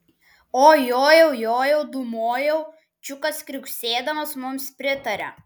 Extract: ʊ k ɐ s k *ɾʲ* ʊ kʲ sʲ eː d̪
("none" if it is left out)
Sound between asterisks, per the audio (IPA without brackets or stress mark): ɾʲ